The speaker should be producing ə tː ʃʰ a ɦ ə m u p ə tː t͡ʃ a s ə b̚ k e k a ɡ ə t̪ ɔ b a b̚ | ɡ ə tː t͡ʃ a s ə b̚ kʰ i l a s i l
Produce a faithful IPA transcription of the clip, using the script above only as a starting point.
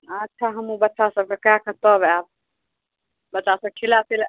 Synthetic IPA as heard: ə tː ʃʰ a ɦ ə m u b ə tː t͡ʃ a s ə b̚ k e k a k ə t̪ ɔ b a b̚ | b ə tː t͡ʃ a s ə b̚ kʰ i l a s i l

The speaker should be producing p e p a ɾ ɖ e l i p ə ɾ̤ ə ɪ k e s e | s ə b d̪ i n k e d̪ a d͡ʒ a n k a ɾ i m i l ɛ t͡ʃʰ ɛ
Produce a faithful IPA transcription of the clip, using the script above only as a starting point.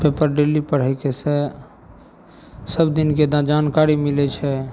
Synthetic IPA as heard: p e p ə ɾ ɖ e l i p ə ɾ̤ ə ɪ k e s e | s ə b d̪ i n k e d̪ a d͡ʒ a n k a ɾ i m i l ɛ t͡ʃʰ ɛ

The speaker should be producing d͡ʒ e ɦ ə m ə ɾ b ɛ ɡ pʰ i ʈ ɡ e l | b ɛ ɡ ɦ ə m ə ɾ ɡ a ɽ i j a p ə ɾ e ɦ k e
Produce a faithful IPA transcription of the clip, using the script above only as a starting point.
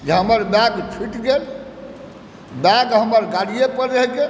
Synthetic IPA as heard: d͡ʒ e ɦ ə m ə ɾ b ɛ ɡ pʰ i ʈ ɡ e l | b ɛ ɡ ɦ ə m ə ɾ ɡ a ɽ i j e p ə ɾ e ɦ k e

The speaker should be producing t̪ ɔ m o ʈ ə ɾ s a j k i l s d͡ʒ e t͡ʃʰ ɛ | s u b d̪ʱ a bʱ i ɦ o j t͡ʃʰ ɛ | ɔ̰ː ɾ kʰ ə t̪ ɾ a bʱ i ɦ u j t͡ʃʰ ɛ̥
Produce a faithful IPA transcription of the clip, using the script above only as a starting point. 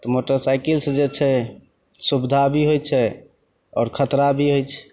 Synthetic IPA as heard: t̪ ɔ m o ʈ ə ɾ s a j k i l s d͡ʒ e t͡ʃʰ ɛ | s u b d̪ʱ a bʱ i ɦ o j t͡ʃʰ ɛ | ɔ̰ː ɾ kʰ ə t̪ ɾ a bʱ i ɦ o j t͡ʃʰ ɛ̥

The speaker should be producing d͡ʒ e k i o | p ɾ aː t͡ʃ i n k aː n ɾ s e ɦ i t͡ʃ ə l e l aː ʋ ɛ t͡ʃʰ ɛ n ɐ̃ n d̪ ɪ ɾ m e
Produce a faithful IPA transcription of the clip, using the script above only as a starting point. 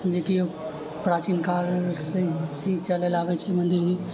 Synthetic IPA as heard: d͡ʒ e k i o | p ɾ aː t͡ʃ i n k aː ɾ s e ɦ i t͡ʃ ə l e l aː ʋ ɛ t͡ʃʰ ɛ m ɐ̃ n d̪ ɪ ɾ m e

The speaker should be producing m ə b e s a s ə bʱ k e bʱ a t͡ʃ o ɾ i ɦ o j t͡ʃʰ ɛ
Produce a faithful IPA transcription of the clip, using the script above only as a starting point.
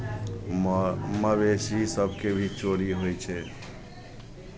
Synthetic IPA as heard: m ə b e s i s ə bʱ k e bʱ i t͡ʃ o ɾ i ɦ o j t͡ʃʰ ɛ

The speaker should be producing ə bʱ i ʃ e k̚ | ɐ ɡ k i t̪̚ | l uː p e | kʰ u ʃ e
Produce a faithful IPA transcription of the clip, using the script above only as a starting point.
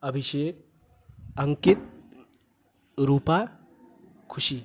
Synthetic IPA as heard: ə bʱ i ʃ e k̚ | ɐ ŋ k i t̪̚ | ɾ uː p a | kʰ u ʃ i

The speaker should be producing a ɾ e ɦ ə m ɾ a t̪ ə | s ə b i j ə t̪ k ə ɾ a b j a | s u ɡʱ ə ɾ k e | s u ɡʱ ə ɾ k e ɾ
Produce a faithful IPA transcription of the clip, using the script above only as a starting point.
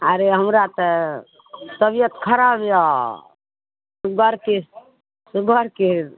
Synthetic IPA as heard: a ɾ e ɦ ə m ɾ a t̪ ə | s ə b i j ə t̪ kʰ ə ɾ a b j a | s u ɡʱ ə ɾ k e | s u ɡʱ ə ɾ k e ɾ

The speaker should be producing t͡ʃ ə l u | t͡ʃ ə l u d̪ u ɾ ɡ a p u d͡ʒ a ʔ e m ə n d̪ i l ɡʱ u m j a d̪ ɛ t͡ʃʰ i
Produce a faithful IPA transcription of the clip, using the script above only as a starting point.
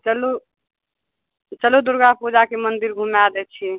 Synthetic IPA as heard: t͡ʃ ə l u | t͡ʃ ə l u d̪ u ɾ ɡ a p u d͡ʒ a k e m ə n d̪ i ɾ ɡʱ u m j a d̪ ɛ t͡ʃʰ i

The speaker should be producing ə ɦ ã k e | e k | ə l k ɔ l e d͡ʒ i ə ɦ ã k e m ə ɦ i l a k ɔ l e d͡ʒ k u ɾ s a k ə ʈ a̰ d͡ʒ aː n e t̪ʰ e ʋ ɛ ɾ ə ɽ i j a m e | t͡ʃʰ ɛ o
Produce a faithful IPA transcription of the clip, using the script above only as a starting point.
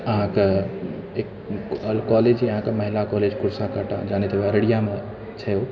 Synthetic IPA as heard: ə ɦ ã k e | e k | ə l k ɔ l e d͡ʒ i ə ɦ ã k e m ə ɦ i l a k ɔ l e d͡ʒ k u ɾ s a k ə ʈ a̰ d͡ʒ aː n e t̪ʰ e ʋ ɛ ɾ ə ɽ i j a m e | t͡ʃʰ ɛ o

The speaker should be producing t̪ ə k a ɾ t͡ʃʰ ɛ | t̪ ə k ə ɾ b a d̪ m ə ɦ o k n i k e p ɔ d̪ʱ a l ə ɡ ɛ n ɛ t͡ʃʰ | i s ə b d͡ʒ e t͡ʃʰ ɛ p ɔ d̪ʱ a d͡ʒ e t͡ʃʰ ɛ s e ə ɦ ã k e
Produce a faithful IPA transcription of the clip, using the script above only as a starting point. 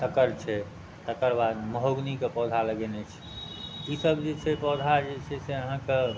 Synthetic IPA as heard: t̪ ə k ə ɾ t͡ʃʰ ɛ | t̪ ə k ə ɾ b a d̪ m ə ɦ o ɡ n i k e p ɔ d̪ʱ a l ə ɡ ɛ n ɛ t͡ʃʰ | i s ə b d͡ʒ e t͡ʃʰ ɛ p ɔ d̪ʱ a d͡ʒ e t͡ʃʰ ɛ s e ə ɦ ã k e

